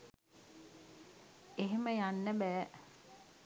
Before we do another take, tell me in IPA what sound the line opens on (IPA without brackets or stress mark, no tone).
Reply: e